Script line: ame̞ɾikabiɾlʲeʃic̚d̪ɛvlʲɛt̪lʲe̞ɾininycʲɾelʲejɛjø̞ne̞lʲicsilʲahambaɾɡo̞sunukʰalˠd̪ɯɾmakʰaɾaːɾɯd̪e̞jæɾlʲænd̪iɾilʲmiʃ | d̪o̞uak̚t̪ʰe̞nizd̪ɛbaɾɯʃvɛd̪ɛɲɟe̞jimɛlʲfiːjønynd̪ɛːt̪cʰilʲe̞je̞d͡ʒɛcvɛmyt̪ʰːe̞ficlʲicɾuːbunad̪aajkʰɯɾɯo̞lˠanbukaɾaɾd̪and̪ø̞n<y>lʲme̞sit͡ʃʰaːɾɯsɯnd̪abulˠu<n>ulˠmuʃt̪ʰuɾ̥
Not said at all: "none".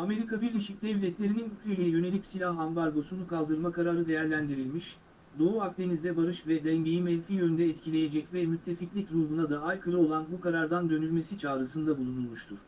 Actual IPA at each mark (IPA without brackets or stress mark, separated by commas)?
y, n